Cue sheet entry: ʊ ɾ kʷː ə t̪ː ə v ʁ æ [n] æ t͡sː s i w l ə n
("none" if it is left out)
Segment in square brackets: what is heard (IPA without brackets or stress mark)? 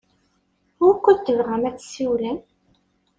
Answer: m